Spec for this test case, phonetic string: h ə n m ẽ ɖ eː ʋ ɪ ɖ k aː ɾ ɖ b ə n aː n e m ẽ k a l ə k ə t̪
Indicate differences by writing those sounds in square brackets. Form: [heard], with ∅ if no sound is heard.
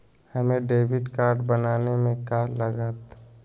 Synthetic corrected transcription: h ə [∅] m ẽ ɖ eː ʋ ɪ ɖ k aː ɾ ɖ b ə n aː n e m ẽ k a l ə [ɡ] ə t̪